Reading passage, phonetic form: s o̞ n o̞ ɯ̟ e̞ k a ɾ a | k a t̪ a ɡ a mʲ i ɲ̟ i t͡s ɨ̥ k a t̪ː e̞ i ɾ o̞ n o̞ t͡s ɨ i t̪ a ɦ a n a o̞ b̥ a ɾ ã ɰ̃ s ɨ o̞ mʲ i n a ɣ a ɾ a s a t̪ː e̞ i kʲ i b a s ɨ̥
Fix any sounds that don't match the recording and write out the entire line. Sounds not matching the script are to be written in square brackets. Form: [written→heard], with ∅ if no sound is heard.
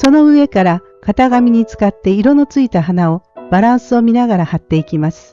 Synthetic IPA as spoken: s o̞ n o̞ ɯ̟ e̞ k a ɾ a | k a t̪ a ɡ a mʲ i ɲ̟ i t͡s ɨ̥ k a t̪ː e̞ i ɾ o̞ n o̞ t͡s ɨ i t̪ a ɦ a n a o̞ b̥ a ɾ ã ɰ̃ s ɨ o̞ mʲ i n a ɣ a ɾ a [s→h] a t̪ː e̞ i kʲ i [b→m] a s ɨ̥